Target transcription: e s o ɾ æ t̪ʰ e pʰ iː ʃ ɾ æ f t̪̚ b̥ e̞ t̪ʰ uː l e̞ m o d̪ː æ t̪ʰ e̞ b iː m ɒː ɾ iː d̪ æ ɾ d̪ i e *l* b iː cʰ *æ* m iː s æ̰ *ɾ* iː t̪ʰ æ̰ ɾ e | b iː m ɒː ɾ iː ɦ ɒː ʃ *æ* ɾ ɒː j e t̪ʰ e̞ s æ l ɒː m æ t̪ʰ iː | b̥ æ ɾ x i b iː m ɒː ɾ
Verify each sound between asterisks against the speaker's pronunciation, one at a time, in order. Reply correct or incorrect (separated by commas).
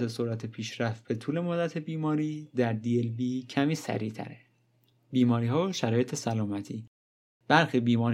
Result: correct, correct, correct, correct